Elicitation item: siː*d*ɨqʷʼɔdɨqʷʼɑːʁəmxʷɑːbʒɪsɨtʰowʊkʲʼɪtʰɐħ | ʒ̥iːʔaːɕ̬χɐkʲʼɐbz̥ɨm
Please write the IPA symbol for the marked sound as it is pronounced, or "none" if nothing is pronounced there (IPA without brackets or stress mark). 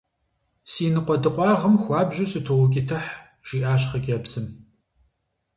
n